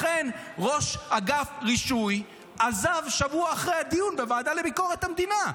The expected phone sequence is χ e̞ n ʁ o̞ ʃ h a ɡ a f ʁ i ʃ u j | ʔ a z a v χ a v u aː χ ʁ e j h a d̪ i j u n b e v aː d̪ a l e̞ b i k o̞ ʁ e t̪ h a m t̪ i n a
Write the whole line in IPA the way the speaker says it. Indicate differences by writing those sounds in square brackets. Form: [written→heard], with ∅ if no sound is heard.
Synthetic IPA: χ e̞ n ʁ o̞ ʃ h a ɡ a f ʁ i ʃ u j | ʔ a z a v [χ→ʃ] a v u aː χ ʁ e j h a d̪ i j u n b e v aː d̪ a l e̞ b i k o̞ ʁ e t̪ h a m [t̪→d̪] i n a